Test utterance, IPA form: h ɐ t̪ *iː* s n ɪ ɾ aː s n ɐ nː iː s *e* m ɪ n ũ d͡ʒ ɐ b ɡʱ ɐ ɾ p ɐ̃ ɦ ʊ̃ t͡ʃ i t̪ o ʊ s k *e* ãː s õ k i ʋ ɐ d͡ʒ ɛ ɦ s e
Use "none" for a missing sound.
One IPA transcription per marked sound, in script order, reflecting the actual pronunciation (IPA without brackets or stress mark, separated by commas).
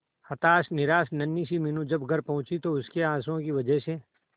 aː, i, e